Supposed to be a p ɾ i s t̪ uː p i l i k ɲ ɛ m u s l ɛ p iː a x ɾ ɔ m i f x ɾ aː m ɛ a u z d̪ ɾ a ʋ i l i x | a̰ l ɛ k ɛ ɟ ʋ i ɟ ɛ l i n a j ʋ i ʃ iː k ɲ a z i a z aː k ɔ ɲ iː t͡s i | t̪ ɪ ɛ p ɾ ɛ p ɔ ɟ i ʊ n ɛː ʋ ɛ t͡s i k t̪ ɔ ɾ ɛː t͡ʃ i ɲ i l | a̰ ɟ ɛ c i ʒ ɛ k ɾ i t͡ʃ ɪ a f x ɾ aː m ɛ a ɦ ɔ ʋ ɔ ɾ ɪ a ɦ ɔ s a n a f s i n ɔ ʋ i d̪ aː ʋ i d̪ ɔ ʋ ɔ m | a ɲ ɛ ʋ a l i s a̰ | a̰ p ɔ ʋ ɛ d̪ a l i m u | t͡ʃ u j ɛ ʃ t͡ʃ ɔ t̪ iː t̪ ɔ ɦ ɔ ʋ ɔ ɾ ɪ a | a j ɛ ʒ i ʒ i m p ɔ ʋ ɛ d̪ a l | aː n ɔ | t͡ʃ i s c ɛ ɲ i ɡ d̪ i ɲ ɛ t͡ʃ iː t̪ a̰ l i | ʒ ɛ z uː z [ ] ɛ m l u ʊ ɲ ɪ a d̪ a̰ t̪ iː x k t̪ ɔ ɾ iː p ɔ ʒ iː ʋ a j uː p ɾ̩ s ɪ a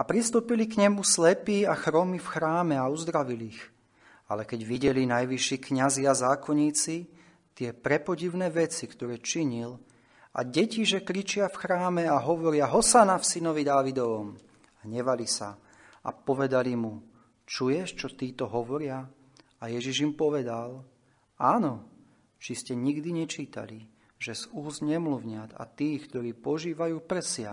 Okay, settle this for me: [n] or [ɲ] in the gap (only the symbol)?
ɲ